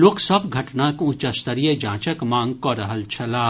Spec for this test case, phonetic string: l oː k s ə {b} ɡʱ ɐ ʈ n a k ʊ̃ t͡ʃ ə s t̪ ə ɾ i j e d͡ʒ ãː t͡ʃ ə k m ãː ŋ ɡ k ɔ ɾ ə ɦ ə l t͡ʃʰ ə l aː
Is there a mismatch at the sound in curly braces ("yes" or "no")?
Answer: no